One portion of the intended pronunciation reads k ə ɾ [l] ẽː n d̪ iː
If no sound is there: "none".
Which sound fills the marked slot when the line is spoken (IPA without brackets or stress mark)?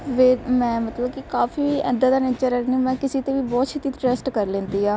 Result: l